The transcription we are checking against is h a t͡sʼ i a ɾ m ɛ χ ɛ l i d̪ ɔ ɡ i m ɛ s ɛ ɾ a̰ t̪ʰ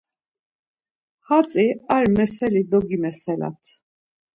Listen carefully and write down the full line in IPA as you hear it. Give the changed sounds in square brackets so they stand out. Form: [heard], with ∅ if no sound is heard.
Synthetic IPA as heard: h a t͡sʼ i a ɾ m ɛ [s] ɛ l i d̪ ɔ ɡ i m ɛ s ɛ [l] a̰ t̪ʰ